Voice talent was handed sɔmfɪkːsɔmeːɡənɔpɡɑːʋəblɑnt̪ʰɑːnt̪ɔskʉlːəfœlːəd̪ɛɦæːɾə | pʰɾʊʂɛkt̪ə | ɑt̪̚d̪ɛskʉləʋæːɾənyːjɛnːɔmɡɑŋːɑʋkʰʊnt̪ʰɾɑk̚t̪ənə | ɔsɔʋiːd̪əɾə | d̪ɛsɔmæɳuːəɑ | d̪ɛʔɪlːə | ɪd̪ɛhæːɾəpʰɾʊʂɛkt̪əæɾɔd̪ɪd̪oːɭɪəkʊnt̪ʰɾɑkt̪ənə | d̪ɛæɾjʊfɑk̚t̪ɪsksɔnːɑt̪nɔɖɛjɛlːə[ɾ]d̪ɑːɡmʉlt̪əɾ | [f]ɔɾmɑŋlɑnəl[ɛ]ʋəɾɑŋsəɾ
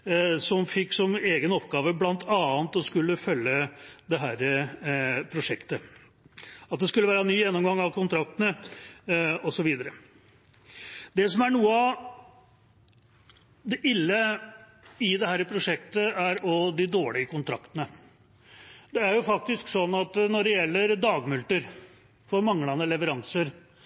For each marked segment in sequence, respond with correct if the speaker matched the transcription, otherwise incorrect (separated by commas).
correct, correct, correct